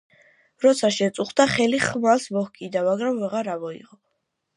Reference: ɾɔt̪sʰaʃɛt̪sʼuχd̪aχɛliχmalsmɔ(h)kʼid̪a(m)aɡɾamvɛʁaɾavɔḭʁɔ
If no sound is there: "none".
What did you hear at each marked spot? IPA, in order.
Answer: h, m

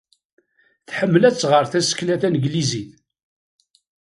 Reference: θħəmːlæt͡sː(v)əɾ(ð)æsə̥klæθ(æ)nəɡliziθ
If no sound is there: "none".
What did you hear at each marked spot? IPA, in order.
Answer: ʁ, θ, æ

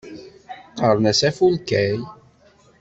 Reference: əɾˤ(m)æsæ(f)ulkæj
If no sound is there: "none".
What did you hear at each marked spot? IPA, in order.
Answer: n, f

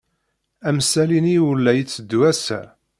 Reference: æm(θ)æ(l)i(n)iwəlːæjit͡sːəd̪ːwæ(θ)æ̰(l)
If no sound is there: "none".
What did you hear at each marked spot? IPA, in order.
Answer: s, l, n, s, none

